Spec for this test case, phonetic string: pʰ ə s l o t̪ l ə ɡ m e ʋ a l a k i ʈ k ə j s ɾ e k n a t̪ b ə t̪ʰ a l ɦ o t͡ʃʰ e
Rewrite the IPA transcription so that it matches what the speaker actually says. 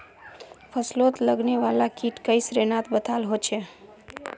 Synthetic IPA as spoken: pʰ ə s l o t̪ l ə ɡ n e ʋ a l a k i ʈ k ə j s ɾ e n a t̪ b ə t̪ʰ a l ɦ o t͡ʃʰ e